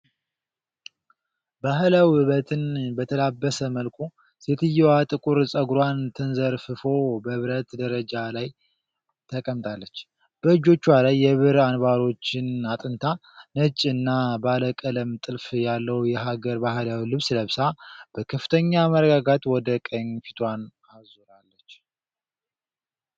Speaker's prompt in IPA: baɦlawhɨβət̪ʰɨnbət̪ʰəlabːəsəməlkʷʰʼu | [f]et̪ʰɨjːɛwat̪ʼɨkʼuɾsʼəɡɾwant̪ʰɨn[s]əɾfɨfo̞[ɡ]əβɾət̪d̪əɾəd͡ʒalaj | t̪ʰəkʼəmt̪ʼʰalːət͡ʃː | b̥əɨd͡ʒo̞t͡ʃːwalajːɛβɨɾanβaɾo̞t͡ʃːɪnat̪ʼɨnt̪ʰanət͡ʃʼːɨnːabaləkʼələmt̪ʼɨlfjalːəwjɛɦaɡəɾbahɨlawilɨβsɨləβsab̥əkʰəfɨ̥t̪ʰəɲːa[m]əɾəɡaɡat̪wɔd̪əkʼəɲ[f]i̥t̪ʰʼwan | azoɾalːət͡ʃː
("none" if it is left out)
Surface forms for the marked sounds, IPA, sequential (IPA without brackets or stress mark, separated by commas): s, z, b, m, f